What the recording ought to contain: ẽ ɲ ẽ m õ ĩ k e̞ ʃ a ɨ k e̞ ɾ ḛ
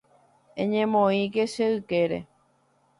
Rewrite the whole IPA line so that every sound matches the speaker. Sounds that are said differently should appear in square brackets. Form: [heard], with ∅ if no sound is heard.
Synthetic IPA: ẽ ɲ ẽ m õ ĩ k e̞ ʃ [e] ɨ k e̞ ɾ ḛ